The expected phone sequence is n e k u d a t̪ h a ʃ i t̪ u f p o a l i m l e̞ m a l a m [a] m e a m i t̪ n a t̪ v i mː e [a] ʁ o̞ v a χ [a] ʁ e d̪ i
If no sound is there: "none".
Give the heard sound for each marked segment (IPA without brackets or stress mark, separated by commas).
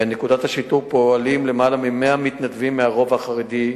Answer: i, a, a